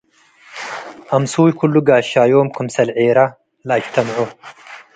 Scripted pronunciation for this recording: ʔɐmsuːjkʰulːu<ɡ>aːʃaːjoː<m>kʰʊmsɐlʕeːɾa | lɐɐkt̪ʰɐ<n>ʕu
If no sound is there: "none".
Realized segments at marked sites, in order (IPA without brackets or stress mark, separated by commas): ɡ, m, m